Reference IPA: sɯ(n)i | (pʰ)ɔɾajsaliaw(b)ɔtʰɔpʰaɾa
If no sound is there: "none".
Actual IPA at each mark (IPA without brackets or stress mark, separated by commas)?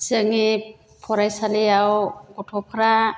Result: ŋ, pʰ, ɡ